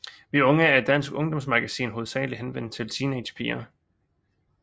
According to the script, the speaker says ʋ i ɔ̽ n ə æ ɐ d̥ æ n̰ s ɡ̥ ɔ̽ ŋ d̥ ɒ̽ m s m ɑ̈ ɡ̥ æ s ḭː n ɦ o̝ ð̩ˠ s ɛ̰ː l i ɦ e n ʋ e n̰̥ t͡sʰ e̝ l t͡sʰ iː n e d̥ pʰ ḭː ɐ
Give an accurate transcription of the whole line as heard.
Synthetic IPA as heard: ʋ i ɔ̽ ŋ ə æ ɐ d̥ æ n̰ s ɡ̥ ɔ̽ ŋ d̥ ɒ̽ m s m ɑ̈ ɡ̥ æ s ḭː n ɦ o̝ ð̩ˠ s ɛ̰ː l i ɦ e n ʋ e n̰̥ t͡sʰ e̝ l t͡sʰ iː n e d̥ pʰ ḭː ɐ